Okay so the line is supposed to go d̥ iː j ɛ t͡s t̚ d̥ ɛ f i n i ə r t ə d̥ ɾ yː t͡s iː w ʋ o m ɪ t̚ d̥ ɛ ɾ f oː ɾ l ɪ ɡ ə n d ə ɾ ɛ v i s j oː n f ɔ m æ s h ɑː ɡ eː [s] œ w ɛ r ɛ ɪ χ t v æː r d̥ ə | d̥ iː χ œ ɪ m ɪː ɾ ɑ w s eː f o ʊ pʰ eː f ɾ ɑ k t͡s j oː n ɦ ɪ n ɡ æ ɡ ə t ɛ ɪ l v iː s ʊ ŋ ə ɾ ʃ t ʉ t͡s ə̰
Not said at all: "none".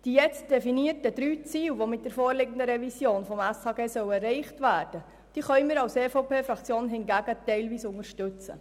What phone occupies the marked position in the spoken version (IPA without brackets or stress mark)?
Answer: s